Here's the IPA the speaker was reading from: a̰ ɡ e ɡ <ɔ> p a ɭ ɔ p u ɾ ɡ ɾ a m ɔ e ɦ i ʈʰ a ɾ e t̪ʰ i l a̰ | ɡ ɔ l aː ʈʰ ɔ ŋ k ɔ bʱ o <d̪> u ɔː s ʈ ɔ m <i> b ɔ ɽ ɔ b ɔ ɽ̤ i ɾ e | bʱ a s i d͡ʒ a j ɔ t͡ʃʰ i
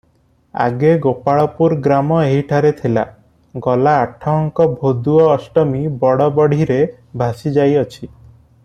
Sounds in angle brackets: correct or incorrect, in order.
incorrect, correct, correct

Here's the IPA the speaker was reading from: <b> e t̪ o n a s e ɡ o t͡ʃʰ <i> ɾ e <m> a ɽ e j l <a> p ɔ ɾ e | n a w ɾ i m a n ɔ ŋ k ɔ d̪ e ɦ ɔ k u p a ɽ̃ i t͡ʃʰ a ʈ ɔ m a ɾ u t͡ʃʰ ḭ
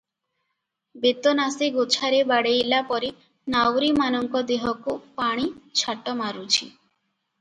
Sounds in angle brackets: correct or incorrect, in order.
correct, incorrect, incorrect, correct

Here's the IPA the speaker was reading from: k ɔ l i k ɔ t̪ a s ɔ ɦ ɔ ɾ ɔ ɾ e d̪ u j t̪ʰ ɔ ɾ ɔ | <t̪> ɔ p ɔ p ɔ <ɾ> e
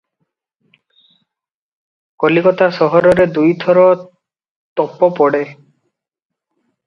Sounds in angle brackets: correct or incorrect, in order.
correct, incorrect

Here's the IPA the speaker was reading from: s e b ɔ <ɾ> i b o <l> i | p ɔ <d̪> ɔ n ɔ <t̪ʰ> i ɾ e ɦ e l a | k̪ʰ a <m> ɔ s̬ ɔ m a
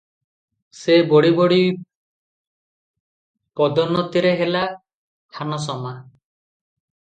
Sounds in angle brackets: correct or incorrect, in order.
incorrect, incorrect, correct, incorrect, incorrect

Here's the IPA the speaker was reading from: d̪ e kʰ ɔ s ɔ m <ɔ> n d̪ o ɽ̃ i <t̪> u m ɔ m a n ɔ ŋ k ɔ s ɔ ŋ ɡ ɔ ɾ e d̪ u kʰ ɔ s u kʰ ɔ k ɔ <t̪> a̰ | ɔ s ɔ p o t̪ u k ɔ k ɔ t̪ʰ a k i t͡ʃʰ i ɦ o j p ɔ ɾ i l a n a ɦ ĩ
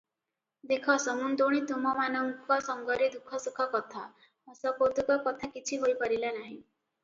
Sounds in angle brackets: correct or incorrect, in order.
incorrect, correct, incorrect

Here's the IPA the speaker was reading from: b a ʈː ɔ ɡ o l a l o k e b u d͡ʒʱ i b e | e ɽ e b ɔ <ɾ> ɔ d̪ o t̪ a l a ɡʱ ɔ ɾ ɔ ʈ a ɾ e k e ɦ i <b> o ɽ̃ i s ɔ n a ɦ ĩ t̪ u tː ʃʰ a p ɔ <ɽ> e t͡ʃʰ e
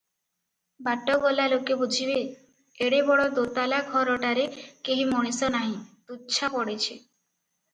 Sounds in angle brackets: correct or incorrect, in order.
incorrect, incorrect, correct

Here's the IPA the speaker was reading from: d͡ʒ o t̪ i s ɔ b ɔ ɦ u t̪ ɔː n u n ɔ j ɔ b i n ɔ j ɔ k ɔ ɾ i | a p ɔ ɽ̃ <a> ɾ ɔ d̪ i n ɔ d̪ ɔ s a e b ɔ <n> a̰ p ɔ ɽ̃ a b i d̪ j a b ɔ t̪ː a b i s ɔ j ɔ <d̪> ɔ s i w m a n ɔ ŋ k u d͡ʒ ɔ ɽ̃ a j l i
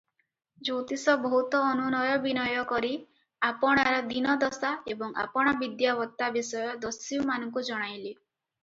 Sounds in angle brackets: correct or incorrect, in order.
correct, incorrect, correct

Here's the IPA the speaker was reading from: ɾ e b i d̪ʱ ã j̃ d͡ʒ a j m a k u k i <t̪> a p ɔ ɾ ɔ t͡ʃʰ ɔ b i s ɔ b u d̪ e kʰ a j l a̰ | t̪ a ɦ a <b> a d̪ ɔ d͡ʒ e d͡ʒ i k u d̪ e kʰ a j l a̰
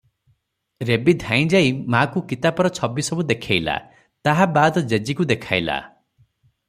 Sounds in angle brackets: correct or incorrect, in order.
correct, correct

